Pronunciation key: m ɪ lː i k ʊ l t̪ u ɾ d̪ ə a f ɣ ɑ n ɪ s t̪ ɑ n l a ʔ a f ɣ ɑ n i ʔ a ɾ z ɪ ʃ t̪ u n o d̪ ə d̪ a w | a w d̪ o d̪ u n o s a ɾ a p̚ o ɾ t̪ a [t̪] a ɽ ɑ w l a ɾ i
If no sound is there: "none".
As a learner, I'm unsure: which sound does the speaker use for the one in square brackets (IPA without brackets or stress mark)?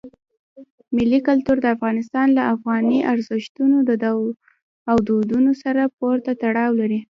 t̪